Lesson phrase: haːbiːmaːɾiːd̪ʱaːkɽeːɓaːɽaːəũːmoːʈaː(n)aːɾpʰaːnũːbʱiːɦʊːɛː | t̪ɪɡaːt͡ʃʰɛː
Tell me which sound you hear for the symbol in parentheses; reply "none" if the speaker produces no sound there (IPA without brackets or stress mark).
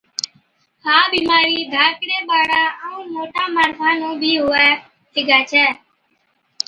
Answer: m